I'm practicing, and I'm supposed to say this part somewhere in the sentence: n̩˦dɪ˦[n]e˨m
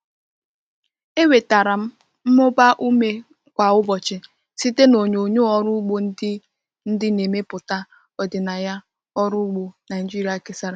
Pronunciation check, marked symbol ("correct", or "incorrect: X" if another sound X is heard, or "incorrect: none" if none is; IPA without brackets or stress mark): correct